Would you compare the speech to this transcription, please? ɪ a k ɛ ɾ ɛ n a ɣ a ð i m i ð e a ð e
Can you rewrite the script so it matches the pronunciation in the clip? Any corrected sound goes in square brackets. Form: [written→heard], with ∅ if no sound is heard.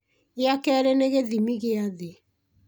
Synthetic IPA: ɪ a k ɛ ɾ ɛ n [a→e] ɣ [a→e] ð i m i [ð→ɣ] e a ð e